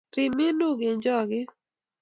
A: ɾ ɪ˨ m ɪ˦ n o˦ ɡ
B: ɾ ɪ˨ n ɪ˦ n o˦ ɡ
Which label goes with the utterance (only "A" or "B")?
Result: A